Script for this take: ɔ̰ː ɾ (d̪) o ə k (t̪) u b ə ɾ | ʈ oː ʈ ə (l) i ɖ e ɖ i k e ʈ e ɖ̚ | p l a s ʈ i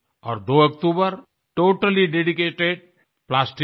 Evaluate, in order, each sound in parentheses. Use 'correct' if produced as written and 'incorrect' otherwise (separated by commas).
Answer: correct, correct, correct